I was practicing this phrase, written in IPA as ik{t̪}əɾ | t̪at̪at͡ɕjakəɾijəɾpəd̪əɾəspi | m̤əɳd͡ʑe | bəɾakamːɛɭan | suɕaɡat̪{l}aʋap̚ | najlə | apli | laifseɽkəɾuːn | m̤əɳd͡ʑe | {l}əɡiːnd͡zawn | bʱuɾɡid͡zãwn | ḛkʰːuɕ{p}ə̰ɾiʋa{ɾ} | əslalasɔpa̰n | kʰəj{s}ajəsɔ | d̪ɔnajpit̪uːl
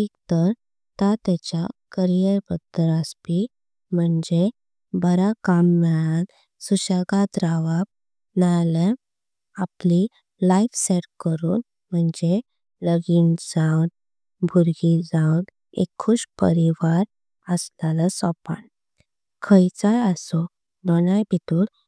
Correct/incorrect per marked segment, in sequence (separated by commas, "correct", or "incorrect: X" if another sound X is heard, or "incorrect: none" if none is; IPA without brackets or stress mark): correct, incorrect: ɾ, correct, correct, correct, incorrect: t͡s